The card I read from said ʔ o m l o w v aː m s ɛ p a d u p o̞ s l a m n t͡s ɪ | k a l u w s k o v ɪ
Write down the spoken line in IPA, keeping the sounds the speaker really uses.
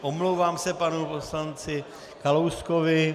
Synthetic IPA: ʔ o m l o w v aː m s ɛ p a n u p o̞ s l a n t͡s ɪ | k a l o w s k o v ɪ